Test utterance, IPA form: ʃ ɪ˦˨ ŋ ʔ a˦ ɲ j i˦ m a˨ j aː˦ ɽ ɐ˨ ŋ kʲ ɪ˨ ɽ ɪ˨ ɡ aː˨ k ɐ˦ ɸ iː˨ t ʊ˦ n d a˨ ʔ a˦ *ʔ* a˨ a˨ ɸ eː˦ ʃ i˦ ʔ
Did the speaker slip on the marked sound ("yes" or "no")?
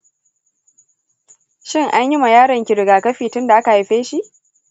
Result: yes